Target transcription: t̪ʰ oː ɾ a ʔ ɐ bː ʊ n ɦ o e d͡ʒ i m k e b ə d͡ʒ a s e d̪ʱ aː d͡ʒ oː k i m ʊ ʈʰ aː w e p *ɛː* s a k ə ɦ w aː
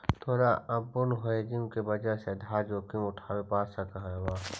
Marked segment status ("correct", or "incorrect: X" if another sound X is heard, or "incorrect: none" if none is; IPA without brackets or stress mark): incorrect: aː